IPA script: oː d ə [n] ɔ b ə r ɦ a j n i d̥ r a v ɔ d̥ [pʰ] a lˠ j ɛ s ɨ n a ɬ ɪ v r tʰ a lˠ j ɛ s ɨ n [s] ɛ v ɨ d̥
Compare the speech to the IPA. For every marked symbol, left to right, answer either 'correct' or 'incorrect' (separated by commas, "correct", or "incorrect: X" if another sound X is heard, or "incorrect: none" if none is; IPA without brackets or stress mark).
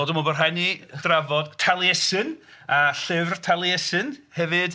incorrect: m, incorrect: tʰ, incorrect: h